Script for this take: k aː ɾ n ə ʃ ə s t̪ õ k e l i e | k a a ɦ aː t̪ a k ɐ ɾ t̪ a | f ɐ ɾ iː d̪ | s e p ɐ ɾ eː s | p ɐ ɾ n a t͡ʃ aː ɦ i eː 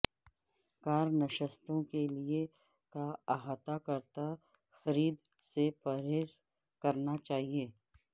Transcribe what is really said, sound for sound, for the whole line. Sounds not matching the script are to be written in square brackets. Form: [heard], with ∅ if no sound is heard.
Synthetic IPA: k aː ɾ n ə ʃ ə s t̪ õ k e l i e | k a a ɦ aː t̪ a k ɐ ɾ t̪ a | [x] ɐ ɾ iː d̪ | s e p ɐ ɾ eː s | [k] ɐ ɾ n a t͡ʃ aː ɦ i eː